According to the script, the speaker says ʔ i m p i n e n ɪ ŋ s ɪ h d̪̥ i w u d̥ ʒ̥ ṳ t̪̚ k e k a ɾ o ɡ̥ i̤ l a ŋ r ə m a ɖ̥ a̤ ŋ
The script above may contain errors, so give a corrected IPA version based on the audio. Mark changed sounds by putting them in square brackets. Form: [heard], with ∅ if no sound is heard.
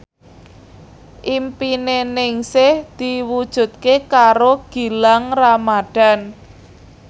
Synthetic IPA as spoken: ʔ i m p i n e n ɪ ŋ s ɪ h d̪̥ i w u d̥ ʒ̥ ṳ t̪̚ k e k a ɾ o ɡ̥ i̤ l a ŋ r [a] m a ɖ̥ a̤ [n]